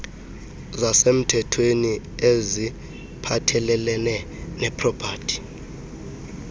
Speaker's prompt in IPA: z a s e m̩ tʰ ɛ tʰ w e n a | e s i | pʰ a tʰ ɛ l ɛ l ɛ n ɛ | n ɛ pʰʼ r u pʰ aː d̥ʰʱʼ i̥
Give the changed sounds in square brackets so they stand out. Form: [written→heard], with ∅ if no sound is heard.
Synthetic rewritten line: z a s e m̩ tʰ ɛ tʰ w e n [a→i] | e [s→z] i | pʰ a tʰ ɛ l ɛ l ɛ n ɛ | n ɛ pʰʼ r [u→ɔ] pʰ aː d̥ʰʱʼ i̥

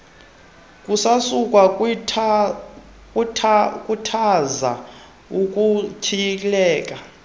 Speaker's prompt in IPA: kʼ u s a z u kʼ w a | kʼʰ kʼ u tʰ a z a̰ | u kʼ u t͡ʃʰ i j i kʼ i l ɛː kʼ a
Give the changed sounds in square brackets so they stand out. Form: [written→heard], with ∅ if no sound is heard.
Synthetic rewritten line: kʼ u s a [z→s] u kʼ w a | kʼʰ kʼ u tʰ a z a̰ | u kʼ u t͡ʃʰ i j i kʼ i l ɛː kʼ a

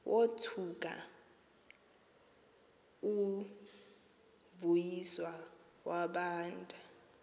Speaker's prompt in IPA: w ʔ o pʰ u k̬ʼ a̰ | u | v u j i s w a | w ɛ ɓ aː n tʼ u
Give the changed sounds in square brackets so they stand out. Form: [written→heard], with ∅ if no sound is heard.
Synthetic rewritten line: w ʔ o [pʰ→tʰ] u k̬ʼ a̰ | u | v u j i s w a | w [ɛ→a] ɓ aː n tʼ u

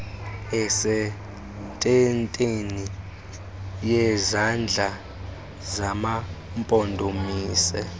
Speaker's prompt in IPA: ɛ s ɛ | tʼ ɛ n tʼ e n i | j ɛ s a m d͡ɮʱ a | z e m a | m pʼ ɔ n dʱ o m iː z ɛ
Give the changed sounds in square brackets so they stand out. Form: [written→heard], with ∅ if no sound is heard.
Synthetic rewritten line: ɛ s ɛ | tʼ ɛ n tʼ e n i | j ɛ [s→z] a [m→n] d͡ɮʱ a | z [e→a] m a | m pʼ ɔ n dʱ o m iː [z→s] ɛ

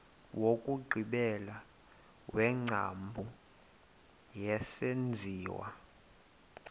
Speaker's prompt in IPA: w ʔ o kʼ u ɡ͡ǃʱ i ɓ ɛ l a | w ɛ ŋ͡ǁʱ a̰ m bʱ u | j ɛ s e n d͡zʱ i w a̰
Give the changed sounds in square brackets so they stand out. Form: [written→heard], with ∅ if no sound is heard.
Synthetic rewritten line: w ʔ o kʼ u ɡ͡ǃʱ i ɓ ɛ l a | w ɛ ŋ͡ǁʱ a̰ m bʱ u | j ɛ s e n d͡zʱ [i→iː] w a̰

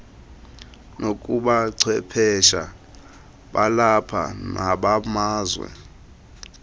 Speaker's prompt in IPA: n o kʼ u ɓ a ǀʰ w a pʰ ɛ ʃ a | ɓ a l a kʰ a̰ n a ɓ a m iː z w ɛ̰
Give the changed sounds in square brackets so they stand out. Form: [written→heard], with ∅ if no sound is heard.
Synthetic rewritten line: n o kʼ u ɓ a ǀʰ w [a→ɛ] pʰ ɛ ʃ a | ɓ a l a [kʰ→pʰ] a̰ n a ɓ a m [iː→aː] z w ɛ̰

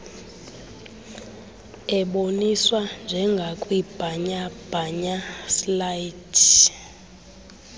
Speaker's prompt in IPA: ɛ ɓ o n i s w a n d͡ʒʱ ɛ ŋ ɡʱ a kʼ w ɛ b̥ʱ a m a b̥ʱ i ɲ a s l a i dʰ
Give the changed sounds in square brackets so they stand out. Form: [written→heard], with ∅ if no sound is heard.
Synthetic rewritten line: ɛ ɓ o n i s w a n d͡ʒʱ ɛ ŋ ɡʱ a kʼ w [ɛ→i] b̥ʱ a [m→ɲ] a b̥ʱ [i→a] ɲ a s l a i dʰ

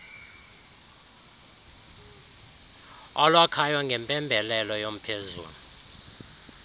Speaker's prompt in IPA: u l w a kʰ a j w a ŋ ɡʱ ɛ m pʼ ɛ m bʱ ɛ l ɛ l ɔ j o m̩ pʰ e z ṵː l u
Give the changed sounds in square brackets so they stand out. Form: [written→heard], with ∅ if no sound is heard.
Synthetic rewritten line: [u→ɔ] l w a kʰ a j w a ŋ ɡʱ ɛ m pʼ ɛ m bʱ ɛ l ɛ l ɔ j o m̩ pʰ e z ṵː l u

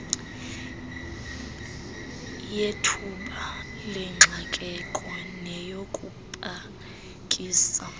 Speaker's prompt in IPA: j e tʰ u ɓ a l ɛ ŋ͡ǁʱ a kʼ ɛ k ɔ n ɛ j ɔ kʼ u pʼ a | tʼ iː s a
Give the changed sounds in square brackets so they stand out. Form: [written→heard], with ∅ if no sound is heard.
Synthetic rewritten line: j e tʰ u ɓ a l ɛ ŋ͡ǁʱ a kʼ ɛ [k→kʼ] ɔ n ɛ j [ɔ→o] kʼ u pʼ a | [tʼ→kʼ] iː s a

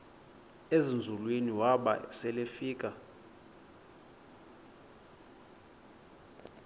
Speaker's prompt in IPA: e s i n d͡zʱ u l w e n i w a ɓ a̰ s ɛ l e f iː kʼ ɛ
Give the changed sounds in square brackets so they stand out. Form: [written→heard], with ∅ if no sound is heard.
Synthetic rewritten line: e [s→z] i n d͡zʱ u l w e n i w a ɓ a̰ s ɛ l e f iː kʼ [ɛ→a]

